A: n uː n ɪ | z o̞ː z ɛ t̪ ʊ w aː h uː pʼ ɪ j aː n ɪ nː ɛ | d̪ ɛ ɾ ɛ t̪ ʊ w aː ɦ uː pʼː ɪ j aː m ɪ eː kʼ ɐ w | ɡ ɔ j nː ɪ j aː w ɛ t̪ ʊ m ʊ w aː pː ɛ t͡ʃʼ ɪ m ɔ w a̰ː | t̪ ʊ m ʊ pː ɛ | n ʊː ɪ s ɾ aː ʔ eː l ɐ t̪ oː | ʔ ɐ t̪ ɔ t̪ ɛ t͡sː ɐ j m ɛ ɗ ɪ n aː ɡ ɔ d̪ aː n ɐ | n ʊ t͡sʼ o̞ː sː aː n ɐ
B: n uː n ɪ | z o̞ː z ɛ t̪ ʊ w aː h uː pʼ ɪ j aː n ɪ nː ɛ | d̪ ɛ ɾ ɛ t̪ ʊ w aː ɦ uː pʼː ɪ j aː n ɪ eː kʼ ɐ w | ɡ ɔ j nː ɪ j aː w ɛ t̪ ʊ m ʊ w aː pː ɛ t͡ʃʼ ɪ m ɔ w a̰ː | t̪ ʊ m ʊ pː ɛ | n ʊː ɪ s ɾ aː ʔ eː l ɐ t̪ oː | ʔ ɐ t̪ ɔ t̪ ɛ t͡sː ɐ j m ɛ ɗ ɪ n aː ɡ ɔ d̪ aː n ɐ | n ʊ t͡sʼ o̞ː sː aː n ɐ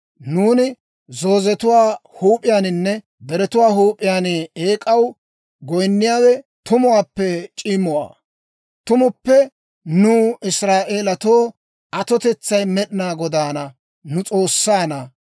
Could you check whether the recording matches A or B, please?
B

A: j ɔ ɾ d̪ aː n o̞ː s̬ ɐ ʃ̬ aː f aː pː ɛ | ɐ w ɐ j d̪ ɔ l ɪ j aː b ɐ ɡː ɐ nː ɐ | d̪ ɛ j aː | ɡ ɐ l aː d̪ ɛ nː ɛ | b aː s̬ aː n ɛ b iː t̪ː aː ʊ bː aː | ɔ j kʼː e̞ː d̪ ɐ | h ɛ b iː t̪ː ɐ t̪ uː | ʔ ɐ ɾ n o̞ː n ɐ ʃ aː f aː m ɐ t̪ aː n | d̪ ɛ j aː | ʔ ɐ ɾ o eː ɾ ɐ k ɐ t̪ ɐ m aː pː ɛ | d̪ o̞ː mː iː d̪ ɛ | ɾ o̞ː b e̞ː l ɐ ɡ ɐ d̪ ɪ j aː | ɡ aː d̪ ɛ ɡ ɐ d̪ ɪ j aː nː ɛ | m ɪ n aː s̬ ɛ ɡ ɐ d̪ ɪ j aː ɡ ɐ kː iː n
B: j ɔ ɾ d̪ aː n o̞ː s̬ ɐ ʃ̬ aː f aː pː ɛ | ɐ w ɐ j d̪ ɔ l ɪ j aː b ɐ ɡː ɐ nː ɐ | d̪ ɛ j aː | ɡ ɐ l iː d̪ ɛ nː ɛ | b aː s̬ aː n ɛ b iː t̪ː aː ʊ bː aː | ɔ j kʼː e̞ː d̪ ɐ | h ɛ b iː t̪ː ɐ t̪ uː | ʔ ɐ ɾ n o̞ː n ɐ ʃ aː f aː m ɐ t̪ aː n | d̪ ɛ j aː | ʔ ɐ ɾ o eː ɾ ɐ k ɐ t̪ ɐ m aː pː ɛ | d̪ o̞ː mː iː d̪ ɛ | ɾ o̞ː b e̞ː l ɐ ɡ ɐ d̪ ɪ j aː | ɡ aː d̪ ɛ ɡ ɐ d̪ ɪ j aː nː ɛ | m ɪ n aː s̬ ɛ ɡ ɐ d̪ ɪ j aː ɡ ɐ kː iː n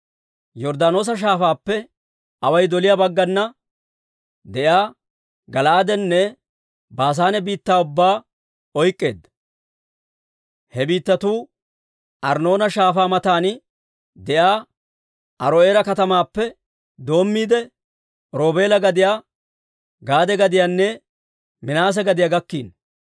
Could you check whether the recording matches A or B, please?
A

